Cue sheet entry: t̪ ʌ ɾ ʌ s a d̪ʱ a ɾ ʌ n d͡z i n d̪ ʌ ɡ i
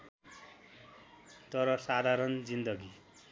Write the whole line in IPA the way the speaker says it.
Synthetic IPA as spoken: t̪ ʌ ɾ ʌ s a d̪ʱ a ɾ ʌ n d͡z i n d̪ ʌ ɡ i